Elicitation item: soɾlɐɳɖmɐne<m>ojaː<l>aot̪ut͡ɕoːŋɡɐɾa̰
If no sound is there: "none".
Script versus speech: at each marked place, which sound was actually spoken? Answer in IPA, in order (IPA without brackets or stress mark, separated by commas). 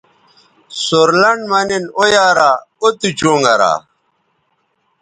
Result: n, ɾ